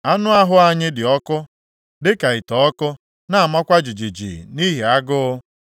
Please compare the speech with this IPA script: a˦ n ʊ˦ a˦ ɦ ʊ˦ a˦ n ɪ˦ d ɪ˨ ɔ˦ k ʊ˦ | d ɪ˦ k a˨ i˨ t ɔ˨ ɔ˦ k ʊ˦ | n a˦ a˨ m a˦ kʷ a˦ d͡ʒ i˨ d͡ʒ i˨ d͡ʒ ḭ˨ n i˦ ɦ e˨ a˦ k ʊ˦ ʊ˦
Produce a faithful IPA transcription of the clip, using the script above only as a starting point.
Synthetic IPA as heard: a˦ n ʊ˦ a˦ ɦ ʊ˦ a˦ ɲ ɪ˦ d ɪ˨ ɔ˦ k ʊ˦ | d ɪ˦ k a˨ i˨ t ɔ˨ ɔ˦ k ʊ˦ | n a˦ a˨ m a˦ kʷ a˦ d͡ʒ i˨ d͡ʒ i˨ d͡ʒ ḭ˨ n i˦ ɦ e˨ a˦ ɡ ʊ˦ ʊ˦